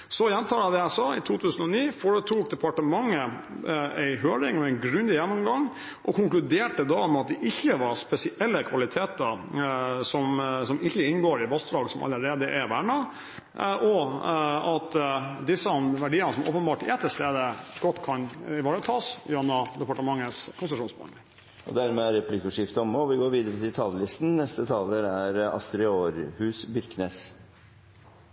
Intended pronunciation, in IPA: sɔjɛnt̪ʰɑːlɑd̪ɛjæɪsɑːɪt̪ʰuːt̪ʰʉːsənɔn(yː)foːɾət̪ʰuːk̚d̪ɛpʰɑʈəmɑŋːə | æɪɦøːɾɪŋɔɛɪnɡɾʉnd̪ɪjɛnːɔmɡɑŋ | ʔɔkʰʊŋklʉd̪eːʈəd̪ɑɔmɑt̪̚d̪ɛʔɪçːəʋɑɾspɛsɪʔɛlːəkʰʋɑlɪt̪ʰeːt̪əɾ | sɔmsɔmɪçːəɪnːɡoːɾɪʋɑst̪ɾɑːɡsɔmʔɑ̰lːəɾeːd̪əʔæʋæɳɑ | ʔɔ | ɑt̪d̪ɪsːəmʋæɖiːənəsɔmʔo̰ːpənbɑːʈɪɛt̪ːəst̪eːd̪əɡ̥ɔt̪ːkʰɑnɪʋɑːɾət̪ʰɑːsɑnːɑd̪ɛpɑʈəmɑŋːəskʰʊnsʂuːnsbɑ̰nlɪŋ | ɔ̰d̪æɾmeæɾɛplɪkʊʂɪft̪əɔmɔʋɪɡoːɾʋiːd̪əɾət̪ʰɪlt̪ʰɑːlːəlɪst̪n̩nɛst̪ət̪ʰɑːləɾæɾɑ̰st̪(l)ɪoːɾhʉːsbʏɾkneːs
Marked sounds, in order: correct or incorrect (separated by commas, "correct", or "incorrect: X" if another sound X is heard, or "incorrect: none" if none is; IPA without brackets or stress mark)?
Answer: incorrect: iː, incorrect: ɾ